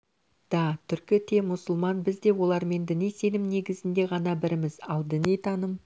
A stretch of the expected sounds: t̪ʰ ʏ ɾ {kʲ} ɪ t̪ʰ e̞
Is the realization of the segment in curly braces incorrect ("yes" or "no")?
no